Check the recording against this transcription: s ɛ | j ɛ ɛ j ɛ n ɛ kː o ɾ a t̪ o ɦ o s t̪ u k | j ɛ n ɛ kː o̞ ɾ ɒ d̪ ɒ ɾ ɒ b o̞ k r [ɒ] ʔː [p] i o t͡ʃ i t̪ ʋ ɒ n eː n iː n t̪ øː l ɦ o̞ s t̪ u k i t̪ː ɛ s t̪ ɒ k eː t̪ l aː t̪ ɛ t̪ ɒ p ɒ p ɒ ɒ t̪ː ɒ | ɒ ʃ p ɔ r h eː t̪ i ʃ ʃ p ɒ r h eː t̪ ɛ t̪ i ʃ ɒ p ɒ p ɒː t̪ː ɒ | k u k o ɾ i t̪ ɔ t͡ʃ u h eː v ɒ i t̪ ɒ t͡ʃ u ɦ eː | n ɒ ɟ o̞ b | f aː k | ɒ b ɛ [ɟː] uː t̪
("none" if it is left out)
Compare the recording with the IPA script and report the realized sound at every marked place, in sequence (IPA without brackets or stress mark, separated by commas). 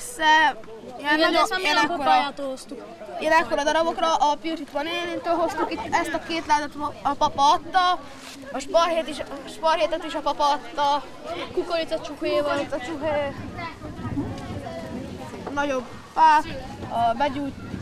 ɒ, p, ɟ